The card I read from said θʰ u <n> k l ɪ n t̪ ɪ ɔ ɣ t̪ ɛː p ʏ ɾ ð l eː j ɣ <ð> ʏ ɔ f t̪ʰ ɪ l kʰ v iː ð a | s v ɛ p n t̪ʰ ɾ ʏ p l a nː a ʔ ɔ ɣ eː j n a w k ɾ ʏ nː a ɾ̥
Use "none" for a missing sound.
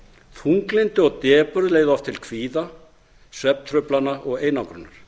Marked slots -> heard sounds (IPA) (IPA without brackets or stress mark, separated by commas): ŋ, ð